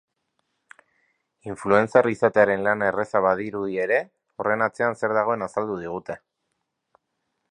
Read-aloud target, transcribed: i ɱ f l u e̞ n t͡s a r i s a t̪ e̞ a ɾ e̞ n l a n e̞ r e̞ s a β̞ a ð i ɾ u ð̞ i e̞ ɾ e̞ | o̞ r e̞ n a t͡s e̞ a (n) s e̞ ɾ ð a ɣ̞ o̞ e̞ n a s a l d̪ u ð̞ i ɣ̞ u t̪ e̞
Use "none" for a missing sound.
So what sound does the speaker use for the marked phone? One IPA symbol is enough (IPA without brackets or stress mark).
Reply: n